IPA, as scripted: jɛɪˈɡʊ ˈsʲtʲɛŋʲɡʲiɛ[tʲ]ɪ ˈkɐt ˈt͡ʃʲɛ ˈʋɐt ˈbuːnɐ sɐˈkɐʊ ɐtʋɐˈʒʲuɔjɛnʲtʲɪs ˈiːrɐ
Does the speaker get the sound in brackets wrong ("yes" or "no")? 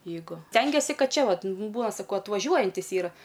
yes